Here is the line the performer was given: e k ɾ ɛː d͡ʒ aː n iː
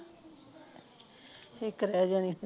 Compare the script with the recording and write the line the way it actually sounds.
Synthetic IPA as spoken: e k ɾ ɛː d͡ʒ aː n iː